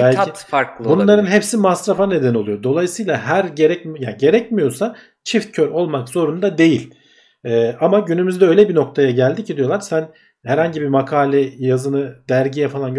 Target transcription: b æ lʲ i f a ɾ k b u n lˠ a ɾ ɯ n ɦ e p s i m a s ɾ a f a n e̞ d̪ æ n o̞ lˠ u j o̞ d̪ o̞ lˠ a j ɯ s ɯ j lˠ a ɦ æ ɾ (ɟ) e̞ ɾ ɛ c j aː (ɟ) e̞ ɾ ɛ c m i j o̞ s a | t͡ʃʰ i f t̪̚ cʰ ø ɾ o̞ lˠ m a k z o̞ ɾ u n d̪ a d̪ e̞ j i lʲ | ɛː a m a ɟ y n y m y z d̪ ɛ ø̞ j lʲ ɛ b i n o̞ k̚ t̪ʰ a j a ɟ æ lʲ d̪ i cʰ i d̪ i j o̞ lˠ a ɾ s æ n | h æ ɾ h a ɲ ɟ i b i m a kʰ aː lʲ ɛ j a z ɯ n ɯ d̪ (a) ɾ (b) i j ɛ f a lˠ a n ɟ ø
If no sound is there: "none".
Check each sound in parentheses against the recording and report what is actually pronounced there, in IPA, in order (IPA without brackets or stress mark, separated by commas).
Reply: ɟ, ɟ, æ, ɟ